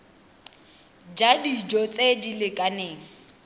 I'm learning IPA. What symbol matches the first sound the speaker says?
d͡ʒ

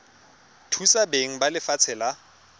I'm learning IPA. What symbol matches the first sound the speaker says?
tʰ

